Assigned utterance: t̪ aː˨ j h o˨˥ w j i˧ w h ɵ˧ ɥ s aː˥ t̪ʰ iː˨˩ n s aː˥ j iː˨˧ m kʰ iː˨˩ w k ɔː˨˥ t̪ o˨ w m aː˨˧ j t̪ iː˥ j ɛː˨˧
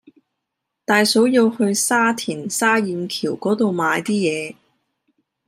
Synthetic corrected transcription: t̪ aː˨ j s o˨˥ w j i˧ w h ɵ˧ ɥ s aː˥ t̪ʰ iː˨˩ n s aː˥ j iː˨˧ m kʰ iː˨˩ w k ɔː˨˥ t̪ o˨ w m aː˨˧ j t̪ iː˥ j ɛː˨˧

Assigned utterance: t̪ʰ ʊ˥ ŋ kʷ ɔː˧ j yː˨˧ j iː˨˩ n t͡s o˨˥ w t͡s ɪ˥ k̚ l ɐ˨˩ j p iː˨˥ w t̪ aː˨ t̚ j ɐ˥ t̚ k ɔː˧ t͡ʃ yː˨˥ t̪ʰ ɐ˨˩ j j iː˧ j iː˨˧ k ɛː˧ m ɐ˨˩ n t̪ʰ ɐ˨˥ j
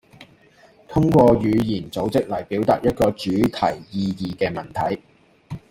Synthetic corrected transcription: t̪ʰ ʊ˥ ŋ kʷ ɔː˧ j yː˨˧ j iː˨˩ n t͡s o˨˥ w t͡s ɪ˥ k̚ l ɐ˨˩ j p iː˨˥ w t̪ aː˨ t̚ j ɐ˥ t̚ k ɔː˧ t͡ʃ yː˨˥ t̪ʰ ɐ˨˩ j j iː˧ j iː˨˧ k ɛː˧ m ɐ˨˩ n t̪ʰ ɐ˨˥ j

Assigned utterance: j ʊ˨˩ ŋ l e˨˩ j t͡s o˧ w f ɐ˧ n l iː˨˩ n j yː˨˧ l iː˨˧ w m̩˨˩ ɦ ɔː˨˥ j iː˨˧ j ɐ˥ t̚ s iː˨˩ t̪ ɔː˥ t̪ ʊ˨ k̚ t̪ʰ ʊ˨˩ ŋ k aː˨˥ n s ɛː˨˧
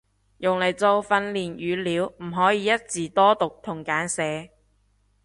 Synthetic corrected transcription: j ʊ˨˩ ŋ l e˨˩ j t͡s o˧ w f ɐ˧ n l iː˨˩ n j yː˨˧ l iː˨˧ w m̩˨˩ ɦ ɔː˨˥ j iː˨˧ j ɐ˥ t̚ t͡s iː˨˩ t̪ ɔː˥ t̪ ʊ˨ k̚ t̪ʰ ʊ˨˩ ŋ k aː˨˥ n s ɛː˨˧

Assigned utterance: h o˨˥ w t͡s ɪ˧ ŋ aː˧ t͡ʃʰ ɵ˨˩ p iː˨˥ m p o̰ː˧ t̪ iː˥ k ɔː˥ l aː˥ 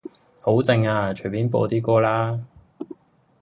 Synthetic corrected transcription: h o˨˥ w t͡s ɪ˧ ŋ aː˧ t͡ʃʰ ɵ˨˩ p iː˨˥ n p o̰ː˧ t̪ iː˥ k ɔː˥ l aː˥

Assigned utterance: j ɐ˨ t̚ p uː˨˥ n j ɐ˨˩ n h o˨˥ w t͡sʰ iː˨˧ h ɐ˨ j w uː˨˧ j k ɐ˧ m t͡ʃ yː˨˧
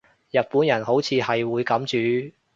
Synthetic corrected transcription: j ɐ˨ t̚ p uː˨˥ n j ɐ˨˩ n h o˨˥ w t͡sʰ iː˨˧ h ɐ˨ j w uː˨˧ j k ɐ˨˥ m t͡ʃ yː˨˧

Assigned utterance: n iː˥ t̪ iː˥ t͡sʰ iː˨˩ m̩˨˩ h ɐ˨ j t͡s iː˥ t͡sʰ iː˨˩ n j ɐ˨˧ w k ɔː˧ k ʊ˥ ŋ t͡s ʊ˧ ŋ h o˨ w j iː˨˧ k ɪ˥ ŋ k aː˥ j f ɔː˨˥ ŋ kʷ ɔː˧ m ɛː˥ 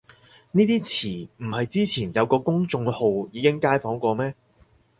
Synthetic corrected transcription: n iː˥ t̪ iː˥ t͡sʰ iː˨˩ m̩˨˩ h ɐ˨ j t͡s iː˥ t͡sʰ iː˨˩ n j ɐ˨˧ w k ɔː˧ k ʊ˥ ŋ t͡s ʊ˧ ŋ h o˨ w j iː˨˧ k ɪ˥ ŋ k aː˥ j f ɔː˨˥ ŋ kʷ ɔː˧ m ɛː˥

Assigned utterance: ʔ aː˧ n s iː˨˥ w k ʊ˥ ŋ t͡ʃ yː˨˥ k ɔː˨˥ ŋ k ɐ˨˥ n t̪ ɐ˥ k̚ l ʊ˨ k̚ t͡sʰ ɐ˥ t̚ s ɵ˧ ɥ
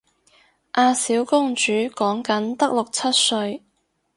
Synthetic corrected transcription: ʔ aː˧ s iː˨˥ w k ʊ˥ ŋ t͡ʃ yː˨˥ k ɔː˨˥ ŋ k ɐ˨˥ n t̪ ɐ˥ k̚ l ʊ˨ k̚ t͡sʰ ɐ˥ t̚ s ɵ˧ ɥ

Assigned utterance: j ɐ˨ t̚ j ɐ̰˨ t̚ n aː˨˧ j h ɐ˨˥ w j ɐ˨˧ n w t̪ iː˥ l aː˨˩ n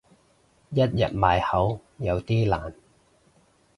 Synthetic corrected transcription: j ɐ˥ t̚ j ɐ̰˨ t̚ m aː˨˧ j h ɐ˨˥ w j ɐ˨˧ w t̪ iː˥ l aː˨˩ n

